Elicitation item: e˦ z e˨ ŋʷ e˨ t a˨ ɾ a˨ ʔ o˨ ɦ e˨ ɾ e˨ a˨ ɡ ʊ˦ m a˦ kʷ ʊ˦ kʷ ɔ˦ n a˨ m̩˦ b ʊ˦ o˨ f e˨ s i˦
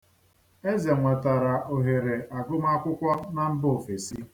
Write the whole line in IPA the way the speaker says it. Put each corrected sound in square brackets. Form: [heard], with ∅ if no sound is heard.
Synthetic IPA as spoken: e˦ z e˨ ŋʷ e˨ t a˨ ɾ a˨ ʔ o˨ ɦ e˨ ɾ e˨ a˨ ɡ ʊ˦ m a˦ kʷ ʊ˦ kʷ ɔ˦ n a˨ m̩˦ b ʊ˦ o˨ f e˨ s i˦